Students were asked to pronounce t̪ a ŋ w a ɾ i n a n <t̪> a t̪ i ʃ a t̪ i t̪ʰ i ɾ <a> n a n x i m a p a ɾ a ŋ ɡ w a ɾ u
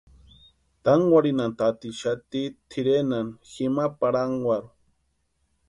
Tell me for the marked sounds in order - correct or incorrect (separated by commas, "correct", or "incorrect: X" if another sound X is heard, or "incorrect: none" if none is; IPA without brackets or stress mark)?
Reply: correct, incorrect: e